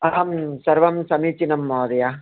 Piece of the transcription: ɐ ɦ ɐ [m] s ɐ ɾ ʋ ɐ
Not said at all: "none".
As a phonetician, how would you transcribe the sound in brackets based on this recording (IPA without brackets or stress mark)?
m